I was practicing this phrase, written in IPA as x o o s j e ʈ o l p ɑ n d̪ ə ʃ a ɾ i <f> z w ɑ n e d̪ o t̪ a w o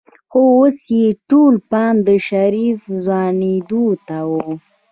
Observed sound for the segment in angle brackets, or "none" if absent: f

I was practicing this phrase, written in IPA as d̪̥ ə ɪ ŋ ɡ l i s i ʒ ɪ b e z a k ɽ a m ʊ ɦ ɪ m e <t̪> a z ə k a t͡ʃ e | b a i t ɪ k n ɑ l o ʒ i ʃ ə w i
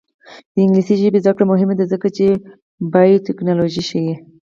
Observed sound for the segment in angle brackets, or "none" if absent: d̪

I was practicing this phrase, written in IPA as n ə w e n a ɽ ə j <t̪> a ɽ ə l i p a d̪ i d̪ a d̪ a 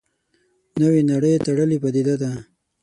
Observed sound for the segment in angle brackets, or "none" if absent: t̪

